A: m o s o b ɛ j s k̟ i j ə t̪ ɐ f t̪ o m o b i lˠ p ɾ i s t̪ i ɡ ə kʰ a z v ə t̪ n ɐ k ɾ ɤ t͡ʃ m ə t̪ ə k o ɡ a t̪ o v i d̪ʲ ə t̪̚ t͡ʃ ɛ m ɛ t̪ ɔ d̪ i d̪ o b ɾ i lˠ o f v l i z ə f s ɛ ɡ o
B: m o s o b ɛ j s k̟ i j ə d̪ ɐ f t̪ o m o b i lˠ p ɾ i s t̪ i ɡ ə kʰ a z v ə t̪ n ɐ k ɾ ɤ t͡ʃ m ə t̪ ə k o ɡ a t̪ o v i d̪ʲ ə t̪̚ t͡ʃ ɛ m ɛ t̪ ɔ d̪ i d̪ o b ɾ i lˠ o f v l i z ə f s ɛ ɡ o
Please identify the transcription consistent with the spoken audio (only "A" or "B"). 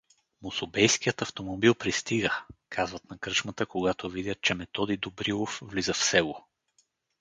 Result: A